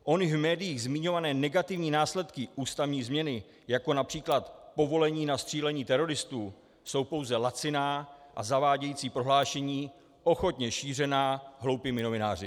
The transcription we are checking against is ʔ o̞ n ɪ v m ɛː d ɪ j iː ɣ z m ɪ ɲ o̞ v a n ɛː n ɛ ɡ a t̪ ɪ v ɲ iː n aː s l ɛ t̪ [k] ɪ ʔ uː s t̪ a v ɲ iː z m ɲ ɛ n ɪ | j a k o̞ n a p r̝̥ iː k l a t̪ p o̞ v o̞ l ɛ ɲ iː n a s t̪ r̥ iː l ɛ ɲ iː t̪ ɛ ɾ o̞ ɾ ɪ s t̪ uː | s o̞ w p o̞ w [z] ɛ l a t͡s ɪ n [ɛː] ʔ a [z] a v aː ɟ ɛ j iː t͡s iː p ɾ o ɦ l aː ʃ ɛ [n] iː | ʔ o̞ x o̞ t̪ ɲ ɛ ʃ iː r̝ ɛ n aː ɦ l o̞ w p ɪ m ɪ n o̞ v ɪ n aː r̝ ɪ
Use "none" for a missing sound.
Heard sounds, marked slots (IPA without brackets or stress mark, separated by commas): k, z, aː, z, ɲ